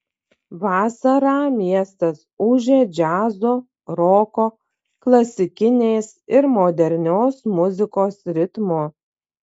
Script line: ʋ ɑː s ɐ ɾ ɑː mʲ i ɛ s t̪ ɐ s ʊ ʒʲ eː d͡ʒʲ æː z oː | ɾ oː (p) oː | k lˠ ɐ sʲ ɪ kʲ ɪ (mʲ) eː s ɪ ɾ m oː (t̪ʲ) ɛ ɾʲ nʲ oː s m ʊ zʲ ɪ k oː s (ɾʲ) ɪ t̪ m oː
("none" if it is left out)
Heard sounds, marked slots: k, nʲ, d̪ʲ, ɾʲ

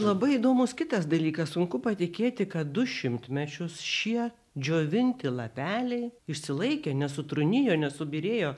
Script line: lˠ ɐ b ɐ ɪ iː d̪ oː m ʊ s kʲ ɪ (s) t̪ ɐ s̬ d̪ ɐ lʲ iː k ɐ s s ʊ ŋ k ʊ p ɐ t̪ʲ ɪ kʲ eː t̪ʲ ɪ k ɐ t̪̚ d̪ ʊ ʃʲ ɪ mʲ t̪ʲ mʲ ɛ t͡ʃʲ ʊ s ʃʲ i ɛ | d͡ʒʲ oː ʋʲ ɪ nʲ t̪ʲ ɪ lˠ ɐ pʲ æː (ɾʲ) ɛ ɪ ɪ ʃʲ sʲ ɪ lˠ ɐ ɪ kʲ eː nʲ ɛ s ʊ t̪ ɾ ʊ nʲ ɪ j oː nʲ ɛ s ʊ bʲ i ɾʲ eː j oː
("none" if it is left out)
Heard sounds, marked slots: none, lʲ

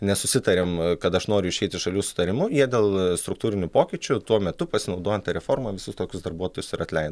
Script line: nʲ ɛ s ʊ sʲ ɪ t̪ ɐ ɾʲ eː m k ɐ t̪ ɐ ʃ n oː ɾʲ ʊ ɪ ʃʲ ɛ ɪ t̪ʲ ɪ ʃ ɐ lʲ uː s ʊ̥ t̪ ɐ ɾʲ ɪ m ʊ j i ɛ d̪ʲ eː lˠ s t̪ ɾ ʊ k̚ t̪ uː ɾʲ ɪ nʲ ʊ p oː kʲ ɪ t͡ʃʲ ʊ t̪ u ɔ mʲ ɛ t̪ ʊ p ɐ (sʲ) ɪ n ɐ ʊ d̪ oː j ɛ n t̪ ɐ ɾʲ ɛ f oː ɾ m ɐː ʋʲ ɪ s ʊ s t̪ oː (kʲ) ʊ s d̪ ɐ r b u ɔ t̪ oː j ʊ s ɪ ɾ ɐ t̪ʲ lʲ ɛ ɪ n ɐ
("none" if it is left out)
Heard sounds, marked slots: sʲ, kʲ

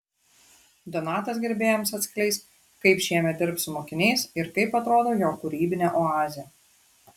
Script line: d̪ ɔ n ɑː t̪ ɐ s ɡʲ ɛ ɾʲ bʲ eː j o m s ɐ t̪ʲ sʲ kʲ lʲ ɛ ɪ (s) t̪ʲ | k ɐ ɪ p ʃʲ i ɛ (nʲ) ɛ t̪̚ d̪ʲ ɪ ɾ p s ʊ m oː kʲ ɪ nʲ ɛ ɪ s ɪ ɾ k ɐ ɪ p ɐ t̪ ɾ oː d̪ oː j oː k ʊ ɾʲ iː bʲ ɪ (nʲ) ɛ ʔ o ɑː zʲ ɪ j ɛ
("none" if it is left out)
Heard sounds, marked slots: s, mʲ, nʲ

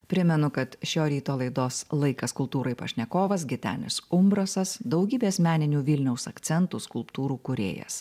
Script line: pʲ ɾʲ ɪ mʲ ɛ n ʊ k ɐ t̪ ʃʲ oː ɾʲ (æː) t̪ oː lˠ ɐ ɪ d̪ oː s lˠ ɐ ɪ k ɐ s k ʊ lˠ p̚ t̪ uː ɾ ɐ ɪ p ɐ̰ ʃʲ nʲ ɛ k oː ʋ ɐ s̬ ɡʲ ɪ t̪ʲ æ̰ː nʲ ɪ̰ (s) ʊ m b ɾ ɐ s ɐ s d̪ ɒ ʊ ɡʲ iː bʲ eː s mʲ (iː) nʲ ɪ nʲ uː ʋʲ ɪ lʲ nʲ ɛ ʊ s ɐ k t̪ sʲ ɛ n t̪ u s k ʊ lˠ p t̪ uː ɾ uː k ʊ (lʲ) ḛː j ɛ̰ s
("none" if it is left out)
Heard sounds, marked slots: iː, s, æː, ɾʲ

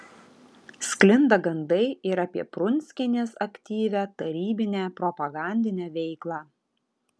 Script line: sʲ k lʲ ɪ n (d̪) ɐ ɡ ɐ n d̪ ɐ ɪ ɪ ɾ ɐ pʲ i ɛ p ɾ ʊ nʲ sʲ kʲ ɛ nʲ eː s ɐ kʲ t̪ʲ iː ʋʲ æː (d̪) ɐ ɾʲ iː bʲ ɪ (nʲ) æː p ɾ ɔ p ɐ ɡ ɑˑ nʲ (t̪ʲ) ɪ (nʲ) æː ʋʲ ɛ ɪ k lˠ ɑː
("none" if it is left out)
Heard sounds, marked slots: d̪, t̪, nʲ, d̪ʲ, nʲ

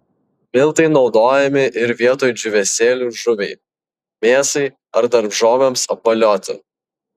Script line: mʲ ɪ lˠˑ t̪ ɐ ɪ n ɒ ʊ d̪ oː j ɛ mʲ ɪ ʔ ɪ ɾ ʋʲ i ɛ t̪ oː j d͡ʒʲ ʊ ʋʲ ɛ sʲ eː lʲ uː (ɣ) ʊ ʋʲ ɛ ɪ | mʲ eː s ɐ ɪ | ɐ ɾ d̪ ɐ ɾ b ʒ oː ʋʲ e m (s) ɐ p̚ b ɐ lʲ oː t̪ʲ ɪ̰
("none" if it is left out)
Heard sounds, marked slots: ʒ, s

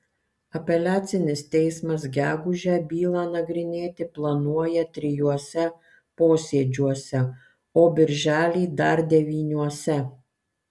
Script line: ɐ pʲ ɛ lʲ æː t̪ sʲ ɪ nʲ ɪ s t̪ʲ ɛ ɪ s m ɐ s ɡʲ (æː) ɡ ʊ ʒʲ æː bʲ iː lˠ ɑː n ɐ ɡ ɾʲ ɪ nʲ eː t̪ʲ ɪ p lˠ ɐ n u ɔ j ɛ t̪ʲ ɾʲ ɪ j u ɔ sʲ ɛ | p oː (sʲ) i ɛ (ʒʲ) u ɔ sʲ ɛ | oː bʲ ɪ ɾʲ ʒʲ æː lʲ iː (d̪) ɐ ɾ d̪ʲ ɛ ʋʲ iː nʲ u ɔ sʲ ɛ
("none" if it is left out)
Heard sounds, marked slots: æː, sʲ, d͡ʒʲ, d̪

